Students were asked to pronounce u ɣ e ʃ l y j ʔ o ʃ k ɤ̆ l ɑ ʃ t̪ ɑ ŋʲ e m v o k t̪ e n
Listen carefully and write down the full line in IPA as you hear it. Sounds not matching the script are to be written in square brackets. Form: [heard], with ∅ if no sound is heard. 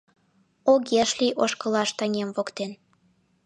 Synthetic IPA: [o] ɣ e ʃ l [i] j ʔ o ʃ k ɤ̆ l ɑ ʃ t̪ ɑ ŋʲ e m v o k t̪ e n